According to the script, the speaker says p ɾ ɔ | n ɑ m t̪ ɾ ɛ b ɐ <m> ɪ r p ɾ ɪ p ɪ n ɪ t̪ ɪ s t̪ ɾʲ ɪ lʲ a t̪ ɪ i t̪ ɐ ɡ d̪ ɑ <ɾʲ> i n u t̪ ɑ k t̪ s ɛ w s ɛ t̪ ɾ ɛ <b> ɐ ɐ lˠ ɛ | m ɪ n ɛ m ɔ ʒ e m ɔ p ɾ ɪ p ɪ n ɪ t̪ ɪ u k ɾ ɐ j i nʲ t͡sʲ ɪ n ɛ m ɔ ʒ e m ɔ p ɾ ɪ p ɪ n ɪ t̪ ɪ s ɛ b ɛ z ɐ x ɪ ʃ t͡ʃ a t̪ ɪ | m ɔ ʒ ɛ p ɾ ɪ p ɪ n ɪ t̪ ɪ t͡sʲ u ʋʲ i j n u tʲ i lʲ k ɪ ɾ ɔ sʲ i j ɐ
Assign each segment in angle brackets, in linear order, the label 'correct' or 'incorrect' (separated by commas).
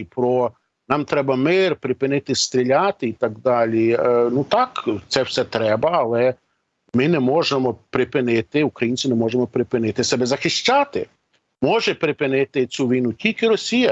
correct, incorrect, correct